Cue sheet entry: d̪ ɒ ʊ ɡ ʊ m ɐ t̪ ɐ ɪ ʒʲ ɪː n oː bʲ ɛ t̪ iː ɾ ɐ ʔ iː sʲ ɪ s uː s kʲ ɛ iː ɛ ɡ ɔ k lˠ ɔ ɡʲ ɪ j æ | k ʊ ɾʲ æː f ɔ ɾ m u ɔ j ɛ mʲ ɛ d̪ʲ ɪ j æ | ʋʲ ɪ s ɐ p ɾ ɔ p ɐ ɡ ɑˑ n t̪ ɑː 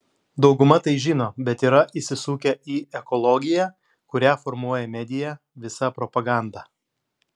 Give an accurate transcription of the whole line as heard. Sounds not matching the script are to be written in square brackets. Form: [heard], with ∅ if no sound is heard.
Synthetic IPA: d̪ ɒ ʊ ɡ ʊ m ɐ t̪ ɐ ɪ ʒʲ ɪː n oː bʲ ɛ t̪ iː ɾ ɐ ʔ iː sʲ ɪ s uː [∅] kʲ ɛ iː ɛ [k] ɔ [∅] lˠ ɔ ɡʲ ɪ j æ | k ʊ ɾʲ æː f ɔ ɾ m u ɔ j ɛ mʲ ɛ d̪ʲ ɪ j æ | ʋʲ ɪ s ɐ p ɾ ɔ p ɐ ɡ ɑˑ n [d̪] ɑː